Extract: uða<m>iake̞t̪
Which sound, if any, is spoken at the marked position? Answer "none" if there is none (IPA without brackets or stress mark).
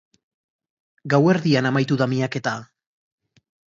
m